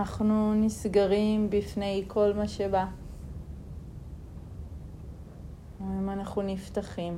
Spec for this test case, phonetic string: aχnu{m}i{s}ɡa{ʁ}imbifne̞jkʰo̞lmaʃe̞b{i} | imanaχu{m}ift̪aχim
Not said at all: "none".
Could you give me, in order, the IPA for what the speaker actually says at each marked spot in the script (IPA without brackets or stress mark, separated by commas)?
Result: n, s, ʁ, a, n